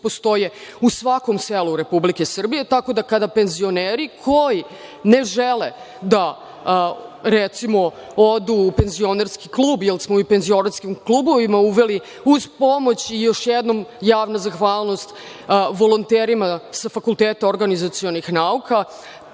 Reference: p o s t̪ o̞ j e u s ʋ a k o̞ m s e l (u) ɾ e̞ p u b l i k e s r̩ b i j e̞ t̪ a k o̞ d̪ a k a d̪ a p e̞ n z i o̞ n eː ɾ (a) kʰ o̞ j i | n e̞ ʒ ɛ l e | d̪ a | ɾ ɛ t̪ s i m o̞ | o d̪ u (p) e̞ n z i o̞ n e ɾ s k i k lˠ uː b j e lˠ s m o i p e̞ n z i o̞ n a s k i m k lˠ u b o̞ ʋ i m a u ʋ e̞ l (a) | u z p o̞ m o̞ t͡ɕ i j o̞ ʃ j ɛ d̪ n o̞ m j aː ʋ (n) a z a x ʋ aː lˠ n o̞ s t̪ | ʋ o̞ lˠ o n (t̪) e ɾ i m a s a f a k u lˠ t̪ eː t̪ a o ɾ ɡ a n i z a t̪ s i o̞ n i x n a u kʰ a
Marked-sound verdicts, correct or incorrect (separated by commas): correct, incorrect, correct, incorrect, correct, correct